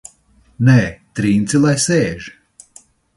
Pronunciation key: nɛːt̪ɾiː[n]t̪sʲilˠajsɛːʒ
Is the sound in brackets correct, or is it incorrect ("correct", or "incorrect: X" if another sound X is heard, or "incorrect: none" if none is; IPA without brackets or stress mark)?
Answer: correct